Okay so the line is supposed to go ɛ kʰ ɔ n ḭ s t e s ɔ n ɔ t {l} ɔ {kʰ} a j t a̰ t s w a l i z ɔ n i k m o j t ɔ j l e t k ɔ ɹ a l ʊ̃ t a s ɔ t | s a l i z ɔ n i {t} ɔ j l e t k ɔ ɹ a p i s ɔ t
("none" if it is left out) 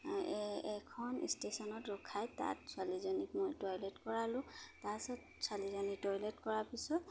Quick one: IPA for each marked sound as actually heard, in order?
ɹ, kʰ, t

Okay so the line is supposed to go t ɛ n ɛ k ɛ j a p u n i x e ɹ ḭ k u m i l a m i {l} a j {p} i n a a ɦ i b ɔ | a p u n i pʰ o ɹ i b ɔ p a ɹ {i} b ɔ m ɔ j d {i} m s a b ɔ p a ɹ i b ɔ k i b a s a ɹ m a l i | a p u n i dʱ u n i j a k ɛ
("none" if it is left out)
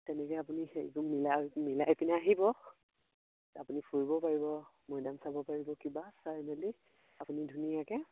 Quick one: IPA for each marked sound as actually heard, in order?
l, p, i, a

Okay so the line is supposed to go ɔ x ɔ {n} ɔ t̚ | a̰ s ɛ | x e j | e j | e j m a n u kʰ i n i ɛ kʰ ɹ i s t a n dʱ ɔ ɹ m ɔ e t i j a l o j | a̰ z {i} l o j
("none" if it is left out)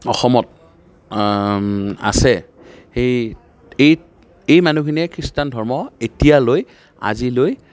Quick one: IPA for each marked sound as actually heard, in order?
m, i

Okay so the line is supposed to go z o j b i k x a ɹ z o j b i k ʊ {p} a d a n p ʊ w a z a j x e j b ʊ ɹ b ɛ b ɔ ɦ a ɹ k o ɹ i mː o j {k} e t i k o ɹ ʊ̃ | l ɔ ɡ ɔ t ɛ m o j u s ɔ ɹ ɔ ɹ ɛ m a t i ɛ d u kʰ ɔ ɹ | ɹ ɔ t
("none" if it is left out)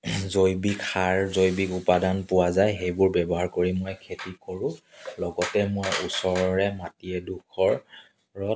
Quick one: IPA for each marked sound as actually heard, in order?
p, kʰ

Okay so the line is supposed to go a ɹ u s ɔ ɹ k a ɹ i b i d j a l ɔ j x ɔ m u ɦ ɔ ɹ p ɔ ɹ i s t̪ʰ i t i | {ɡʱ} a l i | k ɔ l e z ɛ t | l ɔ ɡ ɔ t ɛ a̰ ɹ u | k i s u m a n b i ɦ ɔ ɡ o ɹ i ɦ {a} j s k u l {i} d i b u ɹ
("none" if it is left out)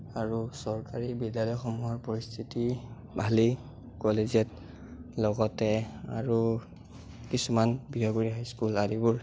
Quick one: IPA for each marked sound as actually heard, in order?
bʱ, a, a

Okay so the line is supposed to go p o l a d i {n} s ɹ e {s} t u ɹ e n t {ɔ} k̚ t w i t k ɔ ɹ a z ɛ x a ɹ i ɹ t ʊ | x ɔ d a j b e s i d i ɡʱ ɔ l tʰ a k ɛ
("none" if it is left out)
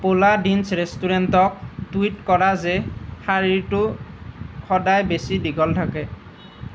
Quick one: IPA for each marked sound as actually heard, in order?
n, s, ɔ

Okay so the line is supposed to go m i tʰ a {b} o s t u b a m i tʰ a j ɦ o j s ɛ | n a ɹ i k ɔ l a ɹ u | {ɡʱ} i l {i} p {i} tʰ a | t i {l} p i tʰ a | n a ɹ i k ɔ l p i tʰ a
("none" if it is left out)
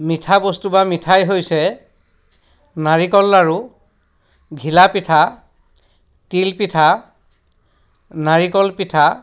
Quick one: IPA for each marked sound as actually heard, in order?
b, ɡʱ, a, i, l

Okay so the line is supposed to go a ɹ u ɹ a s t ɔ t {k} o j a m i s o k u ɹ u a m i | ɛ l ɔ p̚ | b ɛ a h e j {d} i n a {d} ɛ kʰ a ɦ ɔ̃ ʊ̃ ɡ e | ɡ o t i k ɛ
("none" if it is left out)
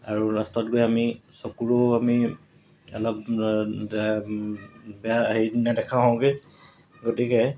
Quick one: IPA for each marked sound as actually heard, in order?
ɡ, d, d

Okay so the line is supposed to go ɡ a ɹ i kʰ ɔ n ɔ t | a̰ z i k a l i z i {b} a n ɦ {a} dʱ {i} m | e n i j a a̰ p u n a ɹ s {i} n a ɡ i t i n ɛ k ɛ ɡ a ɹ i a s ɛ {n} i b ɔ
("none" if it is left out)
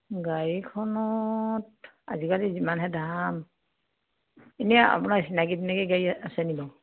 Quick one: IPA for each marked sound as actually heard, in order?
m, ɛ, a, i, n

